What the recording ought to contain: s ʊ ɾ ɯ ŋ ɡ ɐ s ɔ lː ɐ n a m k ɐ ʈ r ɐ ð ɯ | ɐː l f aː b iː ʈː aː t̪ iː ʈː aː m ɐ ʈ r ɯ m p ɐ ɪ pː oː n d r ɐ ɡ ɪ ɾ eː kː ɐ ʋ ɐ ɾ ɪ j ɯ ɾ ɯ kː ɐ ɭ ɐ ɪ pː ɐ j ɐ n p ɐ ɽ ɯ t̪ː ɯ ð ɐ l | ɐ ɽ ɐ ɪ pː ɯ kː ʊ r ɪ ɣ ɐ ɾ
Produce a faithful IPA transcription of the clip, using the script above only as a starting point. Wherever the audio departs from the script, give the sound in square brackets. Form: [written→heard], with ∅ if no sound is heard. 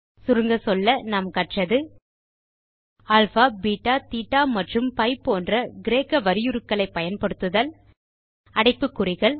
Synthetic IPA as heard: s ʊ ɾ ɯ ŋ ɡ ɐ s ɔ lː ɐ n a m k ɐ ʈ r ɐ ð ɯ | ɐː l f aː b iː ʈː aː t̪ iː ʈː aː m ɐ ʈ r ɯ m p ɐ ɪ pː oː n d r ɐ ɡ ɪ ɾ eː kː ɐ ʋ ɐ ɾ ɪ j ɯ ɾ ɯ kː ɐ ɭ ɐ ɪ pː ɐ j ɐ n p ɐ ɽ ɯ t̪ː ɯ ð ɐ l | ɐ ɽ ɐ ɪ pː ɯ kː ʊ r ɪ ɣ ɐ [ɾ→ɭ]